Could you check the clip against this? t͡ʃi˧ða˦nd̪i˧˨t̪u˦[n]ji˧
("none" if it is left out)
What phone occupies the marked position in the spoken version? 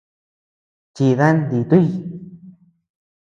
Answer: none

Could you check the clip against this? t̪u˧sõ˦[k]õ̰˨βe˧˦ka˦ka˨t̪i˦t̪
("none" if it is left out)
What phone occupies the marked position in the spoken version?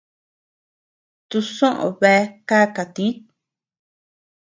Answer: ʔ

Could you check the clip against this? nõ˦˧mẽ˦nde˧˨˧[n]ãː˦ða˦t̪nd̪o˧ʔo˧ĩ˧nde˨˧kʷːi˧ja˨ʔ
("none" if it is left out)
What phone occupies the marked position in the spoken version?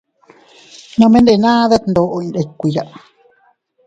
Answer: n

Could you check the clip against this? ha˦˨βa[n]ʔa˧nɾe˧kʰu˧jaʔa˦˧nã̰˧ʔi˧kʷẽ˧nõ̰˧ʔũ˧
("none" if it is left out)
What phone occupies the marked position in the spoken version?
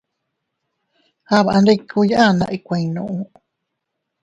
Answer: none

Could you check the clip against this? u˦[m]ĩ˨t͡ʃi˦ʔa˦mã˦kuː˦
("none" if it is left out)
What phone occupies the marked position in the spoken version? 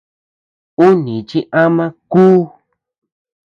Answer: n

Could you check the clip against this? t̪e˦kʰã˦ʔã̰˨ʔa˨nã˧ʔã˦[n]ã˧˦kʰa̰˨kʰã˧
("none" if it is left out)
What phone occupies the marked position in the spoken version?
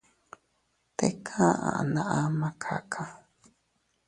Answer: m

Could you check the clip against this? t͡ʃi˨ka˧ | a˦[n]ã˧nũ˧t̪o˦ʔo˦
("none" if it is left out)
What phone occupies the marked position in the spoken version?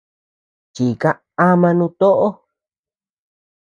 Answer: m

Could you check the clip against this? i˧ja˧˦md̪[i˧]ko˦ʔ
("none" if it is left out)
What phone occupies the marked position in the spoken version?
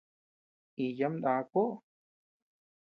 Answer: a˧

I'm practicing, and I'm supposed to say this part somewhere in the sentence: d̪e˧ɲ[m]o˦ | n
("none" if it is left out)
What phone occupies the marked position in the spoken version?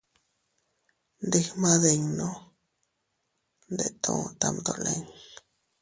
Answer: n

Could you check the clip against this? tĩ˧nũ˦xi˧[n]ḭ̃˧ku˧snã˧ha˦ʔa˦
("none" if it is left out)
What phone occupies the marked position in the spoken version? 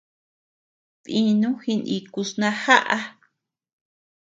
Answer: n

